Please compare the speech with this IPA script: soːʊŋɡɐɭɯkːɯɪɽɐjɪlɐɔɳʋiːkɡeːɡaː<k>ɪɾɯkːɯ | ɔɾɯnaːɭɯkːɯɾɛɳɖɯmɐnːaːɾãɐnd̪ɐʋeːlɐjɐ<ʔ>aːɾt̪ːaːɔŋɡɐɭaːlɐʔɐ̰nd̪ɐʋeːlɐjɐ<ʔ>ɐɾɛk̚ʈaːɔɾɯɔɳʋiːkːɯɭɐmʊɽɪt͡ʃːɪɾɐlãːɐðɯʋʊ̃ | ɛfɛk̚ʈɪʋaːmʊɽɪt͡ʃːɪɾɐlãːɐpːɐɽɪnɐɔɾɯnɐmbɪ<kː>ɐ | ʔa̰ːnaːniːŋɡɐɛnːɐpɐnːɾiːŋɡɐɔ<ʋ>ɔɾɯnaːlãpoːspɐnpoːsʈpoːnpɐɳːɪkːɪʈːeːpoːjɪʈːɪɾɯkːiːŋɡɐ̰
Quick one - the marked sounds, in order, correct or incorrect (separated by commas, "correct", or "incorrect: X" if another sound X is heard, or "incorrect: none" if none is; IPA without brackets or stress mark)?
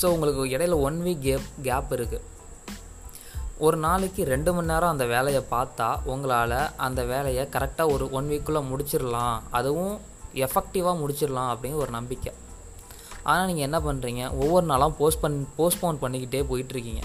incorrect: p, incorrect: p, incorrect: k, correct, incorrect: ʋː